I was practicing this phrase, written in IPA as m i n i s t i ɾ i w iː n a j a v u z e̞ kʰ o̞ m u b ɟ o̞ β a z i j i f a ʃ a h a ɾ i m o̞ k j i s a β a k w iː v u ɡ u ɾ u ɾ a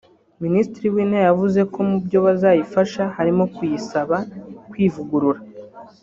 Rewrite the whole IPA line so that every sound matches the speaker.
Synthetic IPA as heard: m i n i s t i ɾ i w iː n a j a v u z e̞ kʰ o̞ m u b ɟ o̞ β a z a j i f a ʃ a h a ɾ i m o̞ k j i s a β a k w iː v u ɡ u ɾ u ɾ a